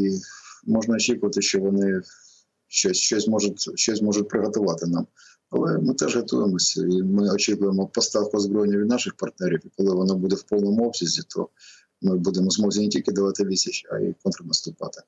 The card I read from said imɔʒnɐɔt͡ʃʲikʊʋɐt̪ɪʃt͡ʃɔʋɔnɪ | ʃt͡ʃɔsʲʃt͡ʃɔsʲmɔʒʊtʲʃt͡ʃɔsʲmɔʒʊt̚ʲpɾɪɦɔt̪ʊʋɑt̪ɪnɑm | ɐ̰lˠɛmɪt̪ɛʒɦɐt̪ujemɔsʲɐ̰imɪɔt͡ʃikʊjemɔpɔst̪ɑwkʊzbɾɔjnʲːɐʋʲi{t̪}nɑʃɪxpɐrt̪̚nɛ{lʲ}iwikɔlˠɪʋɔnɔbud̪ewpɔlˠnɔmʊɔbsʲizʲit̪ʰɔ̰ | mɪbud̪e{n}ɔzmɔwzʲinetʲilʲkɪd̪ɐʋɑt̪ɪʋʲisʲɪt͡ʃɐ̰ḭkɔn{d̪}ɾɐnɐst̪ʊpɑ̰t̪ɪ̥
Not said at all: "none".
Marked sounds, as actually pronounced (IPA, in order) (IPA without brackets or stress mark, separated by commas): d̪, ɾʲ, m, t̪